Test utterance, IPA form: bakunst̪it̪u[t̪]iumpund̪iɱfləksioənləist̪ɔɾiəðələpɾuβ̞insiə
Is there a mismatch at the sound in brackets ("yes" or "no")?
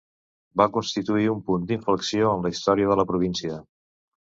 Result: yes